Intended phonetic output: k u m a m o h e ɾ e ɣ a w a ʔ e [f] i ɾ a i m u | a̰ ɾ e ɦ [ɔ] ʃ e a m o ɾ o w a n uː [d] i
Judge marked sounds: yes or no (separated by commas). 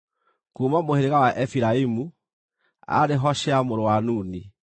yes, yes, no